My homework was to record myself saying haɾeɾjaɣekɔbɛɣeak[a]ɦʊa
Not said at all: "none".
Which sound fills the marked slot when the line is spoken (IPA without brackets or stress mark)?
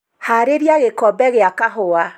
a